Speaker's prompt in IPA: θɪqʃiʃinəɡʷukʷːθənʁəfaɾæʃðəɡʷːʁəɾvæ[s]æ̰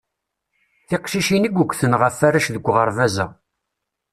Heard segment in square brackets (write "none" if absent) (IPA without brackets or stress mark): z